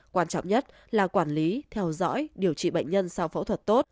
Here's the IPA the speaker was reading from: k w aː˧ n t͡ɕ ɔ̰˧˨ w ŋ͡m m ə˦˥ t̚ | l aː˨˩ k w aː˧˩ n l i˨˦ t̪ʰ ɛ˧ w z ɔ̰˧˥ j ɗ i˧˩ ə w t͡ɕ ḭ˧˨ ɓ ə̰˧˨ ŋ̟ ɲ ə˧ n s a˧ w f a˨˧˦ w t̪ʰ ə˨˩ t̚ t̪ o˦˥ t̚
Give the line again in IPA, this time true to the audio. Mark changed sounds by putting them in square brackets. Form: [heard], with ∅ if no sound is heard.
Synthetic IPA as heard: k w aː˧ n t͡ɕ ɔ̰˧˨ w ŋ͡m [ɲ] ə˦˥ t̚ | l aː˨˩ k w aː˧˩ n l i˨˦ t̪ʰ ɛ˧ w z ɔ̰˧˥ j ɗ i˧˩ ə w t͡ɕ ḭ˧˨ ɓ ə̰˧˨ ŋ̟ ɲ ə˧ n s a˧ w f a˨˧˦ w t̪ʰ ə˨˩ t̚ t̪ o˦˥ t̚